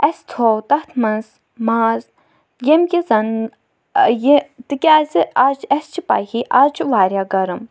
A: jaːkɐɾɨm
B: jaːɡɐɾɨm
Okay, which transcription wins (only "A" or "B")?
B